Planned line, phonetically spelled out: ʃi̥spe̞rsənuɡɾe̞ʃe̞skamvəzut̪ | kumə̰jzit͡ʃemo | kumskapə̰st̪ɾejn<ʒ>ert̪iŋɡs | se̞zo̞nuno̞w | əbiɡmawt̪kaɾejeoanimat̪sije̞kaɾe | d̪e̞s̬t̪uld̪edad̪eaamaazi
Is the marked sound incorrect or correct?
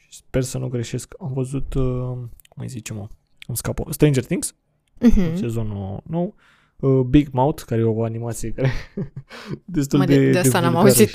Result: incorrect